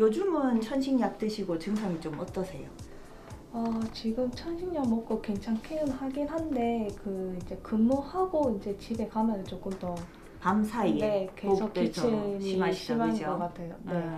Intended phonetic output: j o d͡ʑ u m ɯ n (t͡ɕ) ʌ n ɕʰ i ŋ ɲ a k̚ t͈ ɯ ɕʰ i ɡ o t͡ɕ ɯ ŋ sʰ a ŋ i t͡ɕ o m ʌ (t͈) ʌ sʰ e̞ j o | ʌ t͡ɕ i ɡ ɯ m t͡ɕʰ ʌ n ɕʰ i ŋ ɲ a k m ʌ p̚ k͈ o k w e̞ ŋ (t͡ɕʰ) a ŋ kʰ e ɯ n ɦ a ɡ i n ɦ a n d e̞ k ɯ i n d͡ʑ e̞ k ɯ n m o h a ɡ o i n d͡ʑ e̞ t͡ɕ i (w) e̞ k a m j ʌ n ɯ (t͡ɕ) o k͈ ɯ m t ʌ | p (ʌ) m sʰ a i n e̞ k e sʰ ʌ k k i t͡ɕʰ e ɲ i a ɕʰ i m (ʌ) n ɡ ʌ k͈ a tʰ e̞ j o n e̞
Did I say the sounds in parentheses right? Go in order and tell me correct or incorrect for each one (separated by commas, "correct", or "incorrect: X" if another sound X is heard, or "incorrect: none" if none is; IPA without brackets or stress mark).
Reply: incorrect: t͡ɕʰ, correct, correct, incorrect: b, correct, incorrect: a, incorrect: a